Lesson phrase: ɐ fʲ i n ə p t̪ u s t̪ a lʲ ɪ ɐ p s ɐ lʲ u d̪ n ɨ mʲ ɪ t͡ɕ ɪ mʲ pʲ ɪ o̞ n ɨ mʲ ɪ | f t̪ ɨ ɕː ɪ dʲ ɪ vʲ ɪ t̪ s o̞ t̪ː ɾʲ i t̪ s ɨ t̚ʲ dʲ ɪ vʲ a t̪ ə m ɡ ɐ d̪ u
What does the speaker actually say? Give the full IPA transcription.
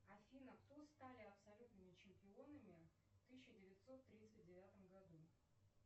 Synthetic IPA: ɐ fʲ i n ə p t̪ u s t̪ a lʲ ɪ ɐ p s ɐ lʲ u t̪ n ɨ mʲ ɪ t͡ɕ ɪ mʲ pʲ ɪ o̞ n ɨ mʲ ɪ | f t̪ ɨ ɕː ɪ dʲ ɪ vʲ ɪ t̪ s o̞ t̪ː ɾʲ i t̪ s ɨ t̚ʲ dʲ ɪ vʲ a t̪ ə m ɡ ɐ d̪ u